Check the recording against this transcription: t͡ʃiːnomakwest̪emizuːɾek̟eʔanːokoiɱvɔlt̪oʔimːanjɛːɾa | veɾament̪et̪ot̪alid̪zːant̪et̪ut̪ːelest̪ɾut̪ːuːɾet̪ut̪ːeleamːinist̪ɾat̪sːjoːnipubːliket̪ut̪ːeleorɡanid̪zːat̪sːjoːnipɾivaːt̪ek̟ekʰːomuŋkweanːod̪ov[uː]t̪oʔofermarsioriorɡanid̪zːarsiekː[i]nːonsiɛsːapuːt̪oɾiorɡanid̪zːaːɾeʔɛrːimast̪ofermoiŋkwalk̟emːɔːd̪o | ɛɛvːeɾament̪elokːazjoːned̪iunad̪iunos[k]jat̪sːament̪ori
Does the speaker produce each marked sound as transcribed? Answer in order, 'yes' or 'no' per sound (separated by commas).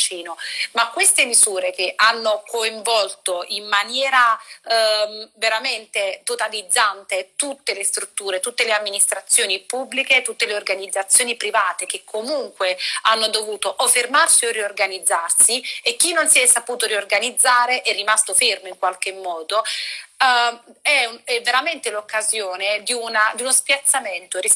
yes, yes, no